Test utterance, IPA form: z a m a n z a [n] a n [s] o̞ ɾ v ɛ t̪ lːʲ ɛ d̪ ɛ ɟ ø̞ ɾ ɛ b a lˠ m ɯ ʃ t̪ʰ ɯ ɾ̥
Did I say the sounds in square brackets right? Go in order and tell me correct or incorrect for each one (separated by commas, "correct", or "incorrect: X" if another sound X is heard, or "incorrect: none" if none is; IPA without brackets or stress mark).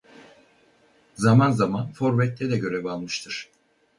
incorrect: m, incorrect: f